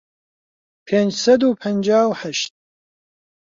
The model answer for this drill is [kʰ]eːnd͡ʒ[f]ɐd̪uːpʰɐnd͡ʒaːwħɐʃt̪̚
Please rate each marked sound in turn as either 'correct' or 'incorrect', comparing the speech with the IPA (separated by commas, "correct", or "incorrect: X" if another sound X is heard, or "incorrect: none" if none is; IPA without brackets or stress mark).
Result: incorrect: pʰ, incorrect: s